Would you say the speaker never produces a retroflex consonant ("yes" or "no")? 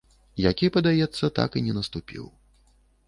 yes